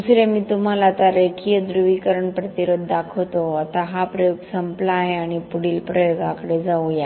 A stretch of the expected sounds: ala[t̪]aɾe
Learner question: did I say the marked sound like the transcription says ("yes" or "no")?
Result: yes